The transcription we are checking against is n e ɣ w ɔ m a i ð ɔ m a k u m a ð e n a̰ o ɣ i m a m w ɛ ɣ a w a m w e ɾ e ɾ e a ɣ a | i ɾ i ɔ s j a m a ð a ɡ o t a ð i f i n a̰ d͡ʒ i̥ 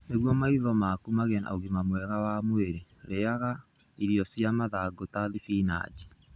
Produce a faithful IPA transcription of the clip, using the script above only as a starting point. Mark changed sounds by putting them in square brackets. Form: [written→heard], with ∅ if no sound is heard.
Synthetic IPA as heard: n e ɣ w ɔ m a i ð ɔ m a k u m a [ð→ɣ] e n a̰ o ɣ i m a m w ɛ ɣ a w a m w e ɾ e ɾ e a ɣ a | i ɾ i ɔ s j a m a ð a ɡ o t a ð i f i n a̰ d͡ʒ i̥